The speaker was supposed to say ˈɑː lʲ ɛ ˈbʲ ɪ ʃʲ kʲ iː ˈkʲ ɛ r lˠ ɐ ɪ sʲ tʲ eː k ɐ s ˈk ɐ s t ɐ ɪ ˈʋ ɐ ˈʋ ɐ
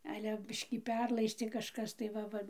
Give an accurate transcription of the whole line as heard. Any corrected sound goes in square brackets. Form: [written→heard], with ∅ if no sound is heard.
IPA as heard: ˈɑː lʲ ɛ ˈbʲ ɪ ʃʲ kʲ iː [ˈkʲ→ˈpʲ] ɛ r lˠ ɐ ɪ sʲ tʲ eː k ɐ [s→ʃ] ˈk ɐ s t ɐ ɪ ˈʋ ɐ ˈʋ ɐ

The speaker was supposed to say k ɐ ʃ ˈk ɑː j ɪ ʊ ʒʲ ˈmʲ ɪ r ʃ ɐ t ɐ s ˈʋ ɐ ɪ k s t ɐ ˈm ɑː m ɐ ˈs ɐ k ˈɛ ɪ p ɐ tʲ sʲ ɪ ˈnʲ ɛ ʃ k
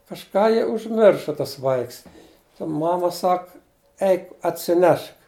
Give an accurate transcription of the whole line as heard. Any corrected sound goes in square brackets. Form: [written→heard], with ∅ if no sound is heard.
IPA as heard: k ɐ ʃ ˈk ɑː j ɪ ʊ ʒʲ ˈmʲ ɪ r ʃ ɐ t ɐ s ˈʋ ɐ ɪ k s t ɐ ˈm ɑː m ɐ ˈs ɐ k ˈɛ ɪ [p→k] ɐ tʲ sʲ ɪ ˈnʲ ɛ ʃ k

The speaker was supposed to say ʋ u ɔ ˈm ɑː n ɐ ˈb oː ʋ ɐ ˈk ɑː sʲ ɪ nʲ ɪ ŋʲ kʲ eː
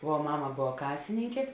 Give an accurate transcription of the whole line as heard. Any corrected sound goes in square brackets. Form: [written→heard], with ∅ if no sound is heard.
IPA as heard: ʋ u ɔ ˈm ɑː [n→m] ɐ ˈb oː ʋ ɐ ˈk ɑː sʲ ɪ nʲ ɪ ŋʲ kʲ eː

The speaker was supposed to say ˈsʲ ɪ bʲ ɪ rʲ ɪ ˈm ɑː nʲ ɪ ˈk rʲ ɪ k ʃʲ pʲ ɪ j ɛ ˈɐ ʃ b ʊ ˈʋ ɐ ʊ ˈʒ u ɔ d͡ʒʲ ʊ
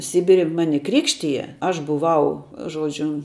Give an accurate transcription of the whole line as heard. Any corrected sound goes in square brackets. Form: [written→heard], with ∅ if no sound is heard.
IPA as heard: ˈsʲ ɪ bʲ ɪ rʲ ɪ ˈm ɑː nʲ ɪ ˈk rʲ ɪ k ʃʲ [pʲ→tʲ] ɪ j ɛ ˈɐ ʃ b ʊ ˈʋ ɐ ʊ ˈʒ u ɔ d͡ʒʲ ʊ

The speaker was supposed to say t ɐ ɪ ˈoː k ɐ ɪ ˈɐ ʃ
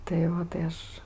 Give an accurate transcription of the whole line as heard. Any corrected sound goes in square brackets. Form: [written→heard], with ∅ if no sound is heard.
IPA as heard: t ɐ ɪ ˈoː [k→t] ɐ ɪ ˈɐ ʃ

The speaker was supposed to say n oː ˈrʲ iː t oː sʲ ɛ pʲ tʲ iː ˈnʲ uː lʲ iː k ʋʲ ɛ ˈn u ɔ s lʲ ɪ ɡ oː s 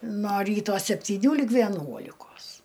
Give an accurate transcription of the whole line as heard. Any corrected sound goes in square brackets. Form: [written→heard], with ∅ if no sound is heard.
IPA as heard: n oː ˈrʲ iː t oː sʲ ɛ pʲ tʲ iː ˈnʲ uː lʲ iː k ʋʲ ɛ ˈn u ɔ [s→∅] lʲ ɪ [ɡ→k] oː s

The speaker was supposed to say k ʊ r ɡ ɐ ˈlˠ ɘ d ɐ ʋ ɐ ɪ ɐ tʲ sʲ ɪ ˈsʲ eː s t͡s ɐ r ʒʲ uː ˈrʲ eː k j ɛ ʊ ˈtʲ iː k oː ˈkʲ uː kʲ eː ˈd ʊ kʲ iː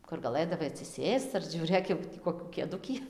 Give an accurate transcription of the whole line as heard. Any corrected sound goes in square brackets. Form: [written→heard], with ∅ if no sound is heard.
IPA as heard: k ʊ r ɡ ɐ ˈlˠ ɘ d ɐ ʋ ɐ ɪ ɐ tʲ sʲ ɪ ˈsʲ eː s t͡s ɐ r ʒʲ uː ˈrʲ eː k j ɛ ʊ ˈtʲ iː k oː ˈkʲ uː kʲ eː ˈd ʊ kʲ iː

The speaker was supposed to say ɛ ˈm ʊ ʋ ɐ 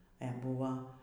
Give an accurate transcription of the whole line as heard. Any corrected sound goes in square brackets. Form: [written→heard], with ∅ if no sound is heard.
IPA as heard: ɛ [ˈm→ˈb] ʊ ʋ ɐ

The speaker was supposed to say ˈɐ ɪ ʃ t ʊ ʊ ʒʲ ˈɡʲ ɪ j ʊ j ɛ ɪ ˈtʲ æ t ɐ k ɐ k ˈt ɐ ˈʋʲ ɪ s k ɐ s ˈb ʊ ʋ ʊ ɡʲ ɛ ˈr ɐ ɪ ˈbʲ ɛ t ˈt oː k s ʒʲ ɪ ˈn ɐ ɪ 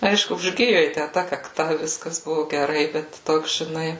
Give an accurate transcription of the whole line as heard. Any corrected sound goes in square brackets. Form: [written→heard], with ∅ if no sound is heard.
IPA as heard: ˈɐ ɪ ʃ [t→k] ʊ ʊ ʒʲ ˈɡʲ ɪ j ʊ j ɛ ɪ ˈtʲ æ t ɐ k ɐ k ˈt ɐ ˈʋʲ ɪ s k ɐ s ˈb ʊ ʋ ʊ ɡʲ ɛ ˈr ɐ ɪ ˈbʲ ɛ t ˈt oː k s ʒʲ ɪ ˈn ɐ ɪ

